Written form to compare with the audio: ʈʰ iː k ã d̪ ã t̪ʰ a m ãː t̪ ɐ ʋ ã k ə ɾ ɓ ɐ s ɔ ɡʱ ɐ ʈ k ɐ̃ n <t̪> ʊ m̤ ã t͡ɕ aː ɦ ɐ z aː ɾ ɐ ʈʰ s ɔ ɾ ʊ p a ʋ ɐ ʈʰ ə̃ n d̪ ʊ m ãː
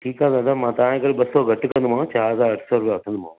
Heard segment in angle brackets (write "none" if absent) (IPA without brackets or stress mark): d̪